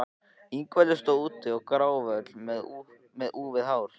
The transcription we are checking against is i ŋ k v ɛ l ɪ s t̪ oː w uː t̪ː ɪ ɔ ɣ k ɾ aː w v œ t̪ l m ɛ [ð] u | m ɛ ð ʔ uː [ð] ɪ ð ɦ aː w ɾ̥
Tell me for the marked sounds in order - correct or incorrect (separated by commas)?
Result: correct, incorrect